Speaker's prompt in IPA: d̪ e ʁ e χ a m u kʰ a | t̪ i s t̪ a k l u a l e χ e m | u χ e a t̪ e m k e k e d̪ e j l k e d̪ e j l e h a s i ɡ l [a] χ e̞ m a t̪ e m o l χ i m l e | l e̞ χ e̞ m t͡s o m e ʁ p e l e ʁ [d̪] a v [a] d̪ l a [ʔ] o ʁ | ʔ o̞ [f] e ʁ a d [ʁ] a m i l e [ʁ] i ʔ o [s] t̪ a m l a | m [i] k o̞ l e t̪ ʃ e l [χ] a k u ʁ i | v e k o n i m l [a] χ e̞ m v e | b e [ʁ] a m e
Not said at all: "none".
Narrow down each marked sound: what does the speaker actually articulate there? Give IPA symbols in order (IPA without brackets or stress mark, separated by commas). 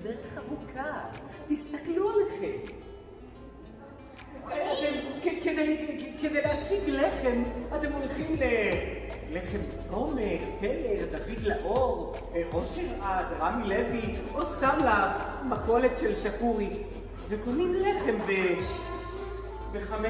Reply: e, d̪, i, ʔ, ʃ, ʁ, v, s, a, ʃ, e, χ